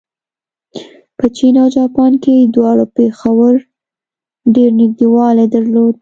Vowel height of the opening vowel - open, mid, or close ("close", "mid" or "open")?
mid